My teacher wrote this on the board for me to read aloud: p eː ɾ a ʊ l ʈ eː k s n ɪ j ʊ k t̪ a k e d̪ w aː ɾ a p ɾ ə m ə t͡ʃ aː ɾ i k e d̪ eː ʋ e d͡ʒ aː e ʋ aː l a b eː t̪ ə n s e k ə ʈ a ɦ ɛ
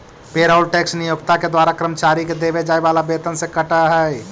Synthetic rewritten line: p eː ɾ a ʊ l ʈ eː k s n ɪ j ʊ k t̪ a k e d̪ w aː ɾ a k ɾ ə m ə t͡ʃ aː ɾ i k e d̪ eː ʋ e d͡ʒ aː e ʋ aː l a b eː t̪ ə n s e k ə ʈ a ɦ ɛ

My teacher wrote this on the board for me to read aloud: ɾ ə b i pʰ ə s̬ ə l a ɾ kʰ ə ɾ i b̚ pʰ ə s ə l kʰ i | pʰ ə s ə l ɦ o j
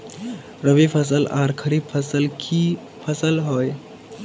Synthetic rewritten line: ɾ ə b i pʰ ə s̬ ə l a ɾ kʰ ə ɾ i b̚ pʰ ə s ə l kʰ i | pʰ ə s ə l ɦ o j

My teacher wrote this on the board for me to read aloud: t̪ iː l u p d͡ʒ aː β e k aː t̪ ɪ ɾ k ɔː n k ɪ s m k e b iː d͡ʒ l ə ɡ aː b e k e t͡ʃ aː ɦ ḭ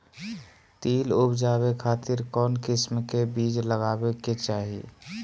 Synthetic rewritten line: t̪ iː l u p d͡ʒ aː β e kʰ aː t̪ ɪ ɾ k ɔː n k ɪ s m k e b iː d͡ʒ l ə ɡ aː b e k e t͡ʃ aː ɦ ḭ

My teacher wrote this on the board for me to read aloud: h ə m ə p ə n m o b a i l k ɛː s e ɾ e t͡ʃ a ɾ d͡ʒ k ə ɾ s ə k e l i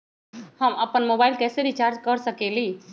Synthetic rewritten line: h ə m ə p ə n m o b a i l k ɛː s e ɾ i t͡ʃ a ɾ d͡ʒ k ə ɾ s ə k e l i

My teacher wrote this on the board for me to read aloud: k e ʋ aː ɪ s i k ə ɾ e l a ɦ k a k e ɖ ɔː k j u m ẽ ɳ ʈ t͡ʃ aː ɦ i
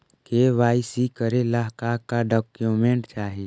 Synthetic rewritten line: k e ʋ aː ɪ s i k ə ɾ e l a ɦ k a k a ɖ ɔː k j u m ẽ ɳ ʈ t͡ʃ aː ɦ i

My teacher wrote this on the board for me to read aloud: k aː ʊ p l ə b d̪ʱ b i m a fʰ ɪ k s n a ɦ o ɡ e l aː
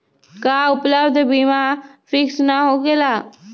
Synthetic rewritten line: k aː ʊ p l ə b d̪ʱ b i m a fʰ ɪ k s n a ɦ o ɡ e l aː

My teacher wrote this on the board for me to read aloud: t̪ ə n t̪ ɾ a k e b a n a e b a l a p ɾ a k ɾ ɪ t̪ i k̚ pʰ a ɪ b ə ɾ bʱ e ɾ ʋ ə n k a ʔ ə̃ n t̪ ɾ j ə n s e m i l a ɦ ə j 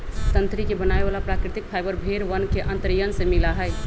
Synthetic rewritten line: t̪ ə n t̪ ɾ i k e b ə n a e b a l a p ɾ a k ɾ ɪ t̪ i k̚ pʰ a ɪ b ə ɾ bʱ e ɾ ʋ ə n k e ʔ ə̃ n t̪ ɾ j ə n s e m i l a ɦ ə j

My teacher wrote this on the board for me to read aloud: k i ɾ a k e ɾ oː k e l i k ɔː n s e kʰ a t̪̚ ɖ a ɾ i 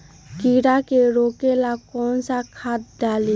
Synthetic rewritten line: k i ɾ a k e ɾ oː k e l a k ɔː n s a kʰ a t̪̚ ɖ a l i

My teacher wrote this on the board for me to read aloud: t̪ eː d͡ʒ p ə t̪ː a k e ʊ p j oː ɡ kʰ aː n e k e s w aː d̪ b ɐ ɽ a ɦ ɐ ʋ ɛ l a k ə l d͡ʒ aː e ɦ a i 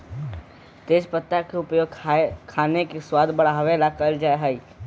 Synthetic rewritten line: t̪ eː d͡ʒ p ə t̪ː a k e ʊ p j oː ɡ kʰ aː n e k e s w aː d̪ b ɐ ɽ a ɦ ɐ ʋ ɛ l a k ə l d͡ʒ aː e ɦ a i

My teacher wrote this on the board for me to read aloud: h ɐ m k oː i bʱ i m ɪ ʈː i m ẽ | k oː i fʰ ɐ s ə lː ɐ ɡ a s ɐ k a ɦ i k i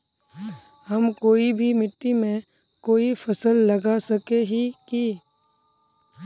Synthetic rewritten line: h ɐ m k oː i bʱ i m ɪ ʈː i m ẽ | k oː i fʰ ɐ s ə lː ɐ ɡ a s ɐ k e ɦ i k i

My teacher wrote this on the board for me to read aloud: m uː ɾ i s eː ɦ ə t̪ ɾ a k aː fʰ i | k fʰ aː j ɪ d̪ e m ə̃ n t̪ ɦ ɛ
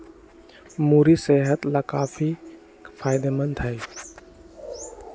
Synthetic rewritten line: m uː ɾ i s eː ɦ ə t̪ l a k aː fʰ i | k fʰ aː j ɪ d̪ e m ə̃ n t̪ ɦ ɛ

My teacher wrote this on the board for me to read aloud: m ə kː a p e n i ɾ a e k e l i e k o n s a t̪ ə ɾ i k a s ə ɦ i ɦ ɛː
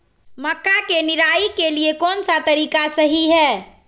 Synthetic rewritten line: m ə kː a k e n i ɾ a i k e l i e k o n s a t̪ ə ɾ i k a s ə ɦ i ɦ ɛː

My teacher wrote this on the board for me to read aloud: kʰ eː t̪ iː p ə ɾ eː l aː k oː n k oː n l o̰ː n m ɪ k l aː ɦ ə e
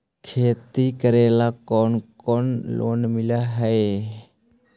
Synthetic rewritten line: kʰ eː t̪ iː k ə ɾ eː l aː k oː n k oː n l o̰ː n m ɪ l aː ɦ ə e

